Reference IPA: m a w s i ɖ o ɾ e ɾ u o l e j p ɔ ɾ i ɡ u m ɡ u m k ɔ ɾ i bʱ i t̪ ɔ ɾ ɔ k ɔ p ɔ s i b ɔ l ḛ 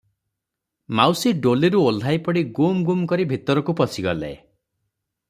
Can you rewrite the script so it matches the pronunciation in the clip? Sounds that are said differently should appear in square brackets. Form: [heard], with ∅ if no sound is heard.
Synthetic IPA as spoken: m a w s i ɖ o [l] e ɾ u o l [a] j p ɔ [ɽ] i ɡ u m ɡ u m k ɔ ɾ i bʱ i t̪ ɔ ɾ ɔ k [u] p ɔ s i [ɡ] ɔ l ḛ